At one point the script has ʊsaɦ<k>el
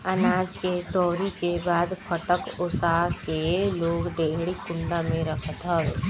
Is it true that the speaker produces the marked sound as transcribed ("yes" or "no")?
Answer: yes